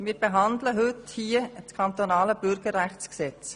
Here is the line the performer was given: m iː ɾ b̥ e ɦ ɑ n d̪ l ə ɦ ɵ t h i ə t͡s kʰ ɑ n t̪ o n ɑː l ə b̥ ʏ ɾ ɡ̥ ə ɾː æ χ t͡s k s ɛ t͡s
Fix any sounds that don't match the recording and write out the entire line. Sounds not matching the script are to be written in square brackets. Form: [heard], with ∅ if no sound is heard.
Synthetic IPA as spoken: m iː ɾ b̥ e ɦ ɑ n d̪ l ə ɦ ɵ t h i ə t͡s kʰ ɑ n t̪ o n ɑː l ə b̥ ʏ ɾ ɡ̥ ə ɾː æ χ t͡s k s ɛ t͡s